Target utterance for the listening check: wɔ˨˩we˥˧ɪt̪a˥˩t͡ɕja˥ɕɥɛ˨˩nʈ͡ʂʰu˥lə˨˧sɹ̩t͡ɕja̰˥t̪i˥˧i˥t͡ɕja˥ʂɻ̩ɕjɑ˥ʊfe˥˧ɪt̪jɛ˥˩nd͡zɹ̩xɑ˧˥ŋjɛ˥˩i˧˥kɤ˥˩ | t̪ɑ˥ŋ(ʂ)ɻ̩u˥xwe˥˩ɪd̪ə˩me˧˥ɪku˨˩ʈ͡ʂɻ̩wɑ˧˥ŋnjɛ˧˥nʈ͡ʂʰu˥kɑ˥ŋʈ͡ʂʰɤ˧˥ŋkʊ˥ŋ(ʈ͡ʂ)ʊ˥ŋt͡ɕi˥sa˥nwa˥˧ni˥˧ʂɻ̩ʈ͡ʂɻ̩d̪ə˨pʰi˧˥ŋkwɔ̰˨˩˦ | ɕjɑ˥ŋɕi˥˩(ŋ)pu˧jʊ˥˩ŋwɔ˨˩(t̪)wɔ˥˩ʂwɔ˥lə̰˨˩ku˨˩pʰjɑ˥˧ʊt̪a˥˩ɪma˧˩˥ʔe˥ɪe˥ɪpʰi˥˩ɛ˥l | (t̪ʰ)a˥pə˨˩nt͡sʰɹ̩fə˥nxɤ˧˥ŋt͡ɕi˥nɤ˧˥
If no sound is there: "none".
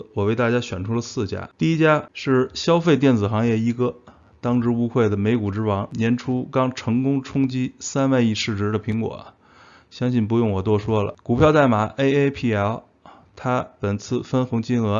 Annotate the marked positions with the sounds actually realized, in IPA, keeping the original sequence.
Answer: ʈ͡ʂ, ʈ͡ʂʰ, n, t̪, t̪ʰ

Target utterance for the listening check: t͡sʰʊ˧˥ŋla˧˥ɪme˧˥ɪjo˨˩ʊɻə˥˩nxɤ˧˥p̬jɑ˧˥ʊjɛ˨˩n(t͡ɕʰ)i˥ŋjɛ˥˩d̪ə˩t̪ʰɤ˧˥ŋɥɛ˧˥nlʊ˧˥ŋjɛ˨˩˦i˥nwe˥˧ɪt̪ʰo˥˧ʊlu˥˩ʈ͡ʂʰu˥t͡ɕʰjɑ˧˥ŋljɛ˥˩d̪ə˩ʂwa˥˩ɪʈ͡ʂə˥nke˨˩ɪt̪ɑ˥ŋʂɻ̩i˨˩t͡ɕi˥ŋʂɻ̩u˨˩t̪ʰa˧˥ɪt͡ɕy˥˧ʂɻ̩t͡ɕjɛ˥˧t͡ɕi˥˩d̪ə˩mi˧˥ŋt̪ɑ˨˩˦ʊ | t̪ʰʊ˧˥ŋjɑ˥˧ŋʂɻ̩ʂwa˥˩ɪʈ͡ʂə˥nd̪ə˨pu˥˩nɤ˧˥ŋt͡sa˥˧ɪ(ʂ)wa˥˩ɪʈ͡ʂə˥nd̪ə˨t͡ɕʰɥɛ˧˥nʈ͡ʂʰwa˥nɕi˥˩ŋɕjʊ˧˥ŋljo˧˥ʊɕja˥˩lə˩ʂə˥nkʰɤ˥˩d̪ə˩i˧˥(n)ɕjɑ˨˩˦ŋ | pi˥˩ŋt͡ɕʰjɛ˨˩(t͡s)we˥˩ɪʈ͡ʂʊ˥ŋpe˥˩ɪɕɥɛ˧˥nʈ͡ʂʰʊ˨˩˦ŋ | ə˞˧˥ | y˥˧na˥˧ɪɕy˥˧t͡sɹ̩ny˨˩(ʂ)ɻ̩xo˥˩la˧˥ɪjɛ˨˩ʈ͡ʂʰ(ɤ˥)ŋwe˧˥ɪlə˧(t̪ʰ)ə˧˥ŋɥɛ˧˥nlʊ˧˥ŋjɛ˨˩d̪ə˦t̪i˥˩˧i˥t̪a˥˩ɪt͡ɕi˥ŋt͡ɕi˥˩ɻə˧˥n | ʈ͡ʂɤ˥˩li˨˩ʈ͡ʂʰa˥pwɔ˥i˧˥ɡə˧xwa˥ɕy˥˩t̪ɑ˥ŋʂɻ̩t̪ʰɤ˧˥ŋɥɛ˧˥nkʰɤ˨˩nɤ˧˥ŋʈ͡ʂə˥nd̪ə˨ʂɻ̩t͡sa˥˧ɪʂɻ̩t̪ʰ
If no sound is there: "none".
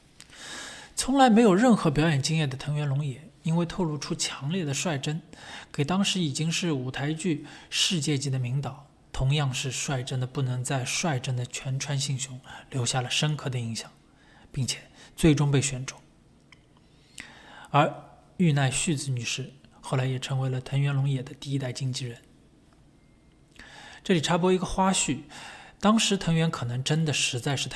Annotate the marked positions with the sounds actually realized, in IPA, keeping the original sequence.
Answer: t͡ɕ, ʂ, ŋ, t͡s, ʂ, ɤ˧˥, t̪ʰ

